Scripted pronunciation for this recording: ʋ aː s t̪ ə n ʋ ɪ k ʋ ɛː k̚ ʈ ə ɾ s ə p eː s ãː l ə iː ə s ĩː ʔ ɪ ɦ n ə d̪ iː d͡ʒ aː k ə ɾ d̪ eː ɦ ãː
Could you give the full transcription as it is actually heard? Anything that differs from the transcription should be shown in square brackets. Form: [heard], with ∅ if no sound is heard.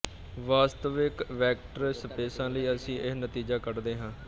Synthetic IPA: ʋ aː s t̪ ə [∅] ʋ ɪ k ʋ ɛː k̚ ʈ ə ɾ s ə p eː s ãː l ə iː ə s ĩː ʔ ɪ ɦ n ə [t̪] iː d͡ʒ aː k ə ɾ d̪ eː ɦ ãː